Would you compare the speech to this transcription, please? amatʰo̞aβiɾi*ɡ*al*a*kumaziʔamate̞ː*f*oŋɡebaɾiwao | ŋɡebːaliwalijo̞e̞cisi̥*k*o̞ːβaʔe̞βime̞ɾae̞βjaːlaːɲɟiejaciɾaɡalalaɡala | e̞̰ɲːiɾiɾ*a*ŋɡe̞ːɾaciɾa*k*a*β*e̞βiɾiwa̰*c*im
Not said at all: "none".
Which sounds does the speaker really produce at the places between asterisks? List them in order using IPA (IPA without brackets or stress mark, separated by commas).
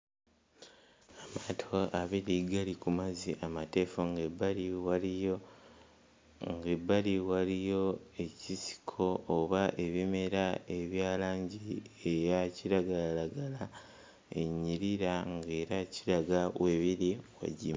ɡ, i, f, kʰ, a, ɡ, w, ɟ